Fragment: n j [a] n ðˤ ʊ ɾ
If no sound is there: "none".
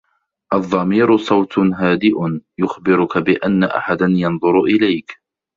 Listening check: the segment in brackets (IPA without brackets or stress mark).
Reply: ɑ